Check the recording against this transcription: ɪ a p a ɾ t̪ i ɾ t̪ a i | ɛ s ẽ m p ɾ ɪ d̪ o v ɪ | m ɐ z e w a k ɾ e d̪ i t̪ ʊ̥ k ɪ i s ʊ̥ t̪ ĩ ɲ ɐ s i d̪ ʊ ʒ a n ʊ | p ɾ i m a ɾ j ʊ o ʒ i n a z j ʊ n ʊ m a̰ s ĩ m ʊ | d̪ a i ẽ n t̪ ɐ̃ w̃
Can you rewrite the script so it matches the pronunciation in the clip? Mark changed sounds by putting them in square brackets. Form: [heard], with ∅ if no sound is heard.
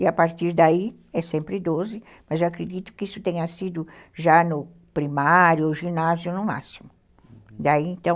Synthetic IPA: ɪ a p a ɾ t̪ i ɾ [d̪] a i | ɛ s ẽ m p ɾ ɪ d̪ o [z] ɪ | m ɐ z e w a k ɾ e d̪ i t̪ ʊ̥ k ɪ i s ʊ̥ t̪ [ẽ] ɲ ɐ s i d̪ ʊ ʒ a n ʊ | p ɾ i m a ɾ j ʊ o ʒ i n a z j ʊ n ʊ m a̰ s [i] m ʊ | d̪ a i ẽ n t̪ ɐ̃ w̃